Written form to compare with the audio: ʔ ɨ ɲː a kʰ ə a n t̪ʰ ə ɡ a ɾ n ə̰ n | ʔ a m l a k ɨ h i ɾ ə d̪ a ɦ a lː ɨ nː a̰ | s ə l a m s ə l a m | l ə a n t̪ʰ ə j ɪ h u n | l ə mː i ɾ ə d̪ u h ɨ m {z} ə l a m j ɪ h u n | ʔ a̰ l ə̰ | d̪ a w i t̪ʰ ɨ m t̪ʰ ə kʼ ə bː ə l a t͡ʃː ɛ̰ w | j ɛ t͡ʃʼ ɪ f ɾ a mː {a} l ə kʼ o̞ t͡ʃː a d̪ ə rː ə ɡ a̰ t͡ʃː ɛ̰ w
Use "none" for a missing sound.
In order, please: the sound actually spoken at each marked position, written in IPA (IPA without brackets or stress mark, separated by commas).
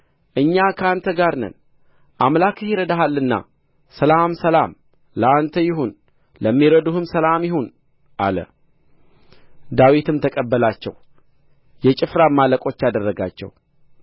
s, a